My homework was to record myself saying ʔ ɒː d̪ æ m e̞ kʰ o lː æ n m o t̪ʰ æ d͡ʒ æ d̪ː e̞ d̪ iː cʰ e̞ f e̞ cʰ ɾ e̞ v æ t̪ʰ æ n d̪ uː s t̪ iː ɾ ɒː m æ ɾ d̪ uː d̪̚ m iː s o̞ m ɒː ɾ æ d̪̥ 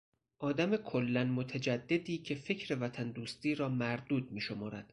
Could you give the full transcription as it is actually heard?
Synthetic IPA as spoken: ʔ ɒː d̪ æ m e̞ kʰ o lː æ n m o t̪ʰ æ d͡ʒ æ d̪ː e̞ d̪ iː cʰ e̞ f e̞ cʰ ɾ e̞ v æ t̪ʰ æ n d̪ uː s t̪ iː ɾ ɒː m æ ɾ d̪ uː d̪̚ m iː ʃ o̞ m ɒː ɾ æ d̪̥